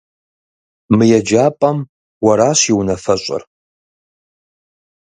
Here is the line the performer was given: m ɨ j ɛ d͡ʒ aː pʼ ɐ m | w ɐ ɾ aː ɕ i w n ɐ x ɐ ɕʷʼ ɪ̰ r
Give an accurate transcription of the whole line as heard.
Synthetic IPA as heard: m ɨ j ɛ d͡ʒ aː pʼ ɐ m | w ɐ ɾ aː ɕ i w n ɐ f ɐ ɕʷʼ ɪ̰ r